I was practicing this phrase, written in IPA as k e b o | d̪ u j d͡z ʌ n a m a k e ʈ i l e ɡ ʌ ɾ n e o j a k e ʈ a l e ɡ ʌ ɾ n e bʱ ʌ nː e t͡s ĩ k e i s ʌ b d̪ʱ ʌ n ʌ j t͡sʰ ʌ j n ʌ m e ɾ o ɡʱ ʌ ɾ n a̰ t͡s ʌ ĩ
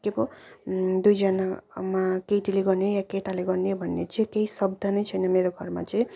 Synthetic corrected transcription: k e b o | d̪ u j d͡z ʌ n a m a k e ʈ i l e ɡ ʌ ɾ n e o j a k e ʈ a l e ɡ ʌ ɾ n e bʱ ʌ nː e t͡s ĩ k e i s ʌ b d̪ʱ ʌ n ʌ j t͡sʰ ʌ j n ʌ m e ɾ o ɡʱ ʌ ɾ m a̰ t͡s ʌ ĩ